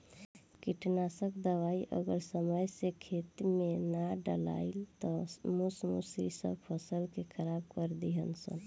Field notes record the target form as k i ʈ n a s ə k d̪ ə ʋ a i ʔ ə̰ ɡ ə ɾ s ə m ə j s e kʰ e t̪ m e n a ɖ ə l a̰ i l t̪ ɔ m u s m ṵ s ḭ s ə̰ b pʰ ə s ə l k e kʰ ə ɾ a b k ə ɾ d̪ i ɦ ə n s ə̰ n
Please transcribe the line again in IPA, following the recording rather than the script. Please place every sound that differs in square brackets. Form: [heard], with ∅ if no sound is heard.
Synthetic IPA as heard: k i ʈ n a s ə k d̪ ə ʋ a i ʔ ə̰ ɡ ə ɾ s ə m ə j s e kʰ e t̪ m e n a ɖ ə l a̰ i l t̪ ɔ m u s m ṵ s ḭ s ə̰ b pʰ ə s ə l k e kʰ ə ɾ a b k ə ɾ d̪ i ɦ ə n s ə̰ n

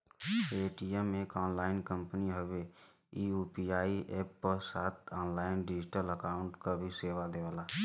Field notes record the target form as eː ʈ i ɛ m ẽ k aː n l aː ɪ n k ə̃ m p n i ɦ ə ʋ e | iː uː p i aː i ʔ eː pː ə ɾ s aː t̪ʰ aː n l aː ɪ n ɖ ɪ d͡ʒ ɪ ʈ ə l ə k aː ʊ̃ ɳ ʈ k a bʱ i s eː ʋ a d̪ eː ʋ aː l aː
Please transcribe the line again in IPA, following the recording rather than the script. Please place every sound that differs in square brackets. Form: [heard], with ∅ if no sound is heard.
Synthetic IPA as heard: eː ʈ i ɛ m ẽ k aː n l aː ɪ n k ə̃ m p n i ɦ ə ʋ e | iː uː p i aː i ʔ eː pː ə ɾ s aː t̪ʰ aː n l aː ɪ n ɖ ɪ d͡ʒ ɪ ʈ ə l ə k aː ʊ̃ ɳ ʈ k a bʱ i s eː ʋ a d̪ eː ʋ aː l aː

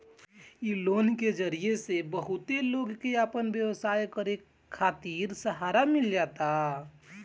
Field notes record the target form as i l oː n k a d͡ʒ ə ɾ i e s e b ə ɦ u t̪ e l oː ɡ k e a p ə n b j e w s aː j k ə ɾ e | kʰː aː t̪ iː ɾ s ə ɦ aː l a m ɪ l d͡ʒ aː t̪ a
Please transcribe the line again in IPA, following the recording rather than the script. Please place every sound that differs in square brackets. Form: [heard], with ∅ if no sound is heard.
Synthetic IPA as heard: i l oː n k [e] d͡ʒ ə ɾ i e s e b ə ɦ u t̪ e l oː ɡ k e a p ə n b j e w s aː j k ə ɾ e | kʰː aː t̪ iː ɾ s ə ɦ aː [ɾ] a m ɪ l d͡ʒ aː t̪ a

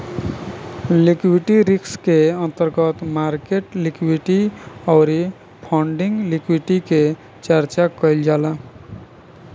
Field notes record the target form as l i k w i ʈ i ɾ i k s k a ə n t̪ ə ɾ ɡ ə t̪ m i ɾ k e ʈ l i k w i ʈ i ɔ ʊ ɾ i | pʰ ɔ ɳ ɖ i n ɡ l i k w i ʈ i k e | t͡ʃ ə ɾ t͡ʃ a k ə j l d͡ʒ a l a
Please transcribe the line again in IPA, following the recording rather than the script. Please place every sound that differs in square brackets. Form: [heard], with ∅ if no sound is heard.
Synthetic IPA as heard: l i k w i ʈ i ɾ i k s k [e] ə n t̪ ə ɾ ɡ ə t̪ m [a] ɾ k e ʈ l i k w i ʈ i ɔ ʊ ɾ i | pʰ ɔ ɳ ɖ i [ŋ] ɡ l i k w i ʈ i k e | t͡ʃ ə ɾ t͡ʃ a k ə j l d͡ʒ a l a

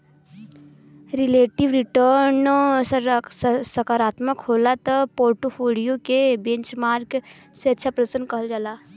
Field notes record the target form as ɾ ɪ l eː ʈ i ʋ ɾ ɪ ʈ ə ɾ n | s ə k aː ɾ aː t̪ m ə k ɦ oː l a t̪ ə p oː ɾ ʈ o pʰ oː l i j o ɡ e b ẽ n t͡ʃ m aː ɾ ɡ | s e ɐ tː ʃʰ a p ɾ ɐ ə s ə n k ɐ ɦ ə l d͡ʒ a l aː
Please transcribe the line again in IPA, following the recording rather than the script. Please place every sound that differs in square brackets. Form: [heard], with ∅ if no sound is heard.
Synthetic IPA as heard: ɾ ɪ l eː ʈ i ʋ ɾ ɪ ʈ ə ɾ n | s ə k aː ɾ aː t̪ m ə k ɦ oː l a t̪ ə p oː ɾ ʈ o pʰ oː l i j o [k] e b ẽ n t͡ʃ m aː ɾ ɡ | s e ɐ tː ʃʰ a p ɾ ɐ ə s ə n k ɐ ɦ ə l d͡ʒ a l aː

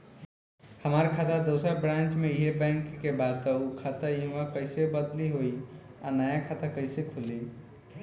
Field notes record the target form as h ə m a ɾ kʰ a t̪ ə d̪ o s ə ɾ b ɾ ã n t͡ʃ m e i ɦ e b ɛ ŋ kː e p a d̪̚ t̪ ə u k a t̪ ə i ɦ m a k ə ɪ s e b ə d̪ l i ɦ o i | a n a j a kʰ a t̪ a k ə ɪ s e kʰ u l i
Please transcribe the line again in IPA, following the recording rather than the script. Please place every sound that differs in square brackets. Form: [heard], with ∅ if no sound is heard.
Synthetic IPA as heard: h ə m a ɾ kʰ a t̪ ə d̪ o s ə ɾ b ɾ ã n t͡ʃ m e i ɦ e b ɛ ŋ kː e [b] a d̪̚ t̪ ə u [kʰ] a t̪ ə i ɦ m a k ə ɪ s e b ə d̪ l i ɦ o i | a n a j a kʰ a t̪ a k ə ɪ s e kʰ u l i

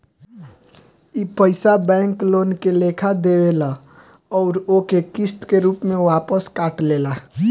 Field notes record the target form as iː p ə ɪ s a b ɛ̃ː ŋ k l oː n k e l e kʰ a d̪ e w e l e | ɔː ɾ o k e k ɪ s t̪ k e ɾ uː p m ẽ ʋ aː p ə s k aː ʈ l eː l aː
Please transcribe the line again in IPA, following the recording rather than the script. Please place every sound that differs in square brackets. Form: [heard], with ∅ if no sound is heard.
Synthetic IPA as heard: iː p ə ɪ s a b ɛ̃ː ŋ k l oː n k e l e kʰ a d̪ e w e l [a] | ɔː ɾ o k e k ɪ s t̪ k e ɾ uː p m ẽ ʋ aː p ə s k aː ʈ l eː l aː

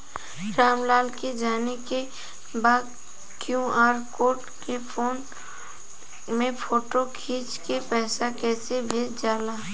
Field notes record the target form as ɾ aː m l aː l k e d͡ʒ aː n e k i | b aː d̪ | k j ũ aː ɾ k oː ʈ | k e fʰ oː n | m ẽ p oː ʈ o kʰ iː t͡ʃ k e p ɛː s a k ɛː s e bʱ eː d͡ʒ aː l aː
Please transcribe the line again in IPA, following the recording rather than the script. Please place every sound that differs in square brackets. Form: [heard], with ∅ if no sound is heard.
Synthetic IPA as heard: ɾ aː m l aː l k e d͡ʒ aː n e k [e] | b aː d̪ | k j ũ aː ɾ k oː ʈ | k e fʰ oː n | m ẽ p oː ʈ o kʰ iː t͡ʃ k e p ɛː s a k ɛː s e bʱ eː d͡ʒ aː l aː

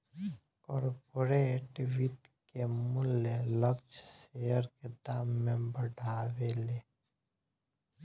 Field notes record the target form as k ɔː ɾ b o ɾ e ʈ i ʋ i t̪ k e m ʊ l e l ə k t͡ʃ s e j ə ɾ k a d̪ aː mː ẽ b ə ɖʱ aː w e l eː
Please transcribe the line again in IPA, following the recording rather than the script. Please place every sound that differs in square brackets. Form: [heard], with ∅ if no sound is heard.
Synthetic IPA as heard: k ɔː ɾ [p] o ɾ e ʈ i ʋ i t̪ k e m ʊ l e l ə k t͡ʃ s e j ə ɾ k [e] d̪ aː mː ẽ b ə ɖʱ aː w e l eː

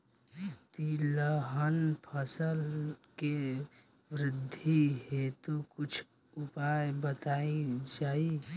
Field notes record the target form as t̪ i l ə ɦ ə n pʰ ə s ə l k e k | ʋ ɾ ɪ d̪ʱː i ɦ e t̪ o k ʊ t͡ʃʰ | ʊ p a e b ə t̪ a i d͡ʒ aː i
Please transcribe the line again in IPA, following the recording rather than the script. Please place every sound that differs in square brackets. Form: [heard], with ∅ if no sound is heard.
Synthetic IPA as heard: t̪ i l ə ɦ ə n pʰ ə s ə l k e [∅] | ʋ ɾ ɪ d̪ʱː i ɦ e t̪ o k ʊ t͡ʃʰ | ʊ p a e b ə t̪ a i d͡ʒ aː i

